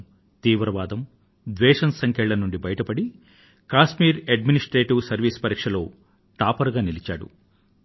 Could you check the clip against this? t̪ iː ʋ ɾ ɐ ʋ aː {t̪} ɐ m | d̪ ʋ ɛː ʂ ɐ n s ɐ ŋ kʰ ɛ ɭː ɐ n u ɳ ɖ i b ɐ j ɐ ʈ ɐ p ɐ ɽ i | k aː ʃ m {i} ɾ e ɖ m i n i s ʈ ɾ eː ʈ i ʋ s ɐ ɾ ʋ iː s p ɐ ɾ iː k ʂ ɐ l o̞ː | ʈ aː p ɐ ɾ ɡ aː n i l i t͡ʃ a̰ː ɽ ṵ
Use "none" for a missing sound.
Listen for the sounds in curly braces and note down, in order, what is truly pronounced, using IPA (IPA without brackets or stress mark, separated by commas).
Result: d̪, iː